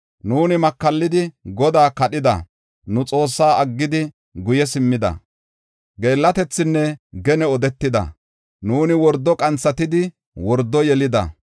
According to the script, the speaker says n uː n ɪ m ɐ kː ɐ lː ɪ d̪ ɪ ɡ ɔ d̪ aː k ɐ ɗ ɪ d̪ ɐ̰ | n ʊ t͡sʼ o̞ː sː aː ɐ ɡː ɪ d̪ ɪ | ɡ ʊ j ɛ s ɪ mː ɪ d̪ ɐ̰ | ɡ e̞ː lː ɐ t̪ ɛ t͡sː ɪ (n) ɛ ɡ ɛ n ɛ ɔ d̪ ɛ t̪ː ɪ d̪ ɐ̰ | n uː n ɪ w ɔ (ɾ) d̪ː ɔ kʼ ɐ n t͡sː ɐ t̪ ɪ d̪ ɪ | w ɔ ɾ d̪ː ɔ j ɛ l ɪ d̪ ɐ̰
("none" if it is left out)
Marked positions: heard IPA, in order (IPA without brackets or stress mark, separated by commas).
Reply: nː, ɾ